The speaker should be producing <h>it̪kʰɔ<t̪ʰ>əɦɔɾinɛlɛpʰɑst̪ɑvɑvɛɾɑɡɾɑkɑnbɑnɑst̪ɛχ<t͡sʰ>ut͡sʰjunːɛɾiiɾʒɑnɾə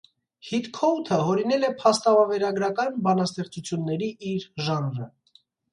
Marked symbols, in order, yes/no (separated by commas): yes, yes, no